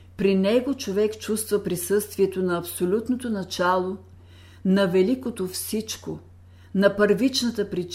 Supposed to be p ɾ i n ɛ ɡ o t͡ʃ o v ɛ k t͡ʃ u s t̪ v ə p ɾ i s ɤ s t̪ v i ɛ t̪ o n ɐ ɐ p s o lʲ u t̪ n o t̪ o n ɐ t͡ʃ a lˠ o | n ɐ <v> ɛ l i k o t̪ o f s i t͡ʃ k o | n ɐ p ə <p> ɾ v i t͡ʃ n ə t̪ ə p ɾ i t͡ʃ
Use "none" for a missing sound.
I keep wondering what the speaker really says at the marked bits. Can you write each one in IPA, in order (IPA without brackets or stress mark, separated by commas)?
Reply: v, none